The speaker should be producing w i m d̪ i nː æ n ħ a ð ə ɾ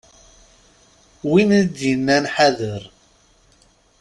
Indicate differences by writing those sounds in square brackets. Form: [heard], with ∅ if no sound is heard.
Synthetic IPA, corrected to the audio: w i [n] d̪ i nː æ n ħ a ð ə ɾ